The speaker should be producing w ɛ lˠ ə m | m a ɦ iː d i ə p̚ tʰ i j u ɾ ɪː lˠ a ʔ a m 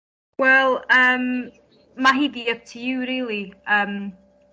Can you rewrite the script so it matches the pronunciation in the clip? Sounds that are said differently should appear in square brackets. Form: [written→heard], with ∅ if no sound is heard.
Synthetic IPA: w ɛ lˠ ə m | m a ɦ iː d i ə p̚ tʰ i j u ɾ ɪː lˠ [a→i] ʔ [a→ə] m